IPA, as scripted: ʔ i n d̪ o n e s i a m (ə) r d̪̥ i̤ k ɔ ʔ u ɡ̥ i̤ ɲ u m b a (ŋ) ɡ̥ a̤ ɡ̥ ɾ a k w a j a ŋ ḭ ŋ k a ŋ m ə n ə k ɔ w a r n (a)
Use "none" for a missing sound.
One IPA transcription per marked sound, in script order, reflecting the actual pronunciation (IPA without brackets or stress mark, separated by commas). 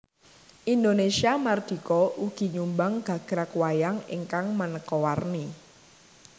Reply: a, ŋ, i